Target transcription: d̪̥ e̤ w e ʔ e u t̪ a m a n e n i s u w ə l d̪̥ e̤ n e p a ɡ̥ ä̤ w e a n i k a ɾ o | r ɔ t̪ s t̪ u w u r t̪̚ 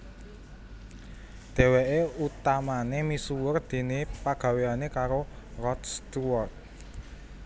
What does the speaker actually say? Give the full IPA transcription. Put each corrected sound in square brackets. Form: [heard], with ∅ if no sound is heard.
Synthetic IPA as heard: d̪̥ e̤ w e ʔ e u t̪ a m a n e [m] i s u w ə [r] d̪̥ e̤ n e p a ɡ̥ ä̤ w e a n [e] k a ɾ o | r ɔ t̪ s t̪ u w [ɔ] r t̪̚